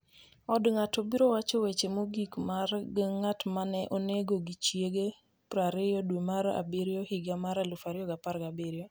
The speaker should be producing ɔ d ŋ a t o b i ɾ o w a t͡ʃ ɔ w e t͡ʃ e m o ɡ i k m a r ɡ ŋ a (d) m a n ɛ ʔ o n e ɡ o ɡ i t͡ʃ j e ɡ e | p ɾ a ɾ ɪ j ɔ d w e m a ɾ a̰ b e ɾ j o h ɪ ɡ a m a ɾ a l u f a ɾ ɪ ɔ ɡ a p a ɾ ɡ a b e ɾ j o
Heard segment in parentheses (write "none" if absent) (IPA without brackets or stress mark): t